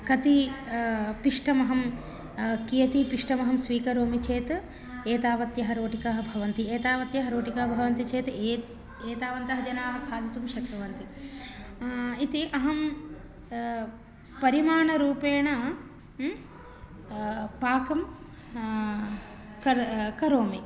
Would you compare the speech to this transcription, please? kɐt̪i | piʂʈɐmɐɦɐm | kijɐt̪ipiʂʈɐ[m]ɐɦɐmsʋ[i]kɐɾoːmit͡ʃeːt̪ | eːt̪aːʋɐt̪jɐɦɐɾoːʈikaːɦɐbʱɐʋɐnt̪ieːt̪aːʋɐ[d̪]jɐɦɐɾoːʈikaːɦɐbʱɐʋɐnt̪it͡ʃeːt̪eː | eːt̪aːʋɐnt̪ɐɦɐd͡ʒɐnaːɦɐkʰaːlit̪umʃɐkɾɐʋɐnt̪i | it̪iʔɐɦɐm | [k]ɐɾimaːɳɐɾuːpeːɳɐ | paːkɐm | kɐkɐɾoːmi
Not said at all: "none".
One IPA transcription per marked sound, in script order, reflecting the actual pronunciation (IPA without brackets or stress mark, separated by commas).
m, iː, t̪, p